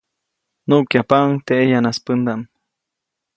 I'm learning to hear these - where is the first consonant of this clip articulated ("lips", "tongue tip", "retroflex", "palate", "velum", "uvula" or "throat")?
tongue tip